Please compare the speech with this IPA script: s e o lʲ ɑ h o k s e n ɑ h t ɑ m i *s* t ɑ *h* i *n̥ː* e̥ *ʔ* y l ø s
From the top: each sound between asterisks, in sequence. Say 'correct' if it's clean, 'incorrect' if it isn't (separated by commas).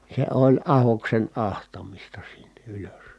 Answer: correct, incorrect, correct, correct